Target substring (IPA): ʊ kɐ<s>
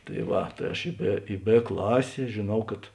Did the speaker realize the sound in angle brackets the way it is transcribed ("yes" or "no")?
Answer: no